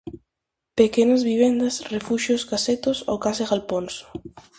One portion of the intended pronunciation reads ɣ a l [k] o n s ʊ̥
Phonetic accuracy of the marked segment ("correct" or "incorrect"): incorrect